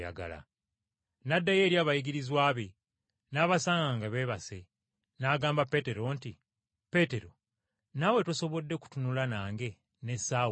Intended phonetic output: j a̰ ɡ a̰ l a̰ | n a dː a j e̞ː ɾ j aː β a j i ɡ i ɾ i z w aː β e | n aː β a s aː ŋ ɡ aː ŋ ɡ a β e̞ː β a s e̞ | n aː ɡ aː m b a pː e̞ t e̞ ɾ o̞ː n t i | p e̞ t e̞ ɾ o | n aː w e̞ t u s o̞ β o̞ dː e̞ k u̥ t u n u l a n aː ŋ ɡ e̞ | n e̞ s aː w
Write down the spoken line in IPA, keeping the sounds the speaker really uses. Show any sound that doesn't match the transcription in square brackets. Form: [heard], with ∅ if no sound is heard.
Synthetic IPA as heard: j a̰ ɡ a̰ l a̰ | n a dː a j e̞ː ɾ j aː β a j i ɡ i ɾ i z w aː β e | n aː β a s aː ŋ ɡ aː ŋ ɡ a β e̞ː β a s e̞ | n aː ɡ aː m b a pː e̞ t e̞ ɾ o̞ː n t i | p e̞ t e̞ ɾ o | n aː w e̞ t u s o̞ β o̞ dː e̞ k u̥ t u n u l a n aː ŋ ɡ e̞ | n e̞ s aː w